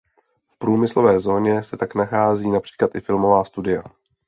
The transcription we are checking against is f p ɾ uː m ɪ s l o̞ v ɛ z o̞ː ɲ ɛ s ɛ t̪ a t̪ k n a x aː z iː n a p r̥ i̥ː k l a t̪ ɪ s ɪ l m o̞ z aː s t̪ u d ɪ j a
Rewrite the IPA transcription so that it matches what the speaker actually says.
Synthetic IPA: f p ɾ uː m ɪ s l o̞ v ɛː z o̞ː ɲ ɛ s ɛ t̪ a k n a x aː z iː n a p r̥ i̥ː k l a t̪ ɪ f ɪ l m o̞ v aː s t̪ u d ɪ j a